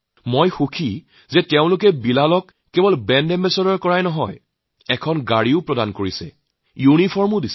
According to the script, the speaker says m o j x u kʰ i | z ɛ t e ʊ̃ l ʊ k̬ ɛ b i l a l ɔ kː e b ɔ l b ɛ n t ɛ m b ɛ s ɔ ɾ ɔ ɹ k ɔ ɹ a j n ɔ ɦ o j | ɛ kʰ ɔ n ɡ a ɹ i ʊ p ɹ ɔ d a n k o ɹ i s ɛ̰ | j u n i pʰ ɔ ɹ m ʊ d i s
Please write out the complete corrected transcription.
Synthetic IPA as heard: m o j x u kʰ i | z ɛ t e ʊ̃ l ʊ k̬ ɛ b i l a l ɔ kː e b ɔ l b ɛ n d ɛ m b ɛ s ɔ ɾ ɔ ɹ k ɔ ɹ a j n ɔ ɦ ɔ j | ɛ kʰ ɔ n ɡ a ɹ i ʊ p ɹ ɔ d a n k o ɹ i s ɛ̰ | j u n i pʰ ɔ ɹ m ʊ d i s